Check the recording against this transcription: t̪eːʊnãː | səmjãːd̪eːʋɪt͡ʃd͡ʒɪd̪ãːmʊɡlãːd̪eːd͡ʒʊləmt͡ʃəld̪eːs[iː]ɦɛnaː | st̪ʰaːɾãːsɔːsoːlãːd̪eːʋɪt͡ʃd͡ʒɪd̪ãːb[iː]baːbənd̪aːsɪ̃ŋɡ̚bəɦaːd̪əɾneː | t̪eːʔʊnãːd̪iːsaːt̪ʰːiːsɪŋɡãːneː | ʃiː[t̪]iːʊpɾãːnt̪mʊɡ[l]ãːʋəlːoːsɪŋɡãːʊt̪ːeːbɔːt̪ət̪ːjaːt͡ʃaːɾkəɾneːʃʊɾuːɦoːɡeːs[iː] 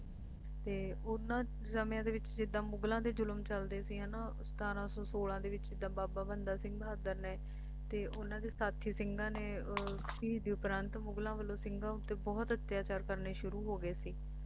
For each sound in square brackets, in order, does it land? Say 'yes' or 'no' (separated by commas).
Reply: yes, no, no, yes, yes